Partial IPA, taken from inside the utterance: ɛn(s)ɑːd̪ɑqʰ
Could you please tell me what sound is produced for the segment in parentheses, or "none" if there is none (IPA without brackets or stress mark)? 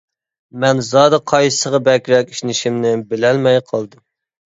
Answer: z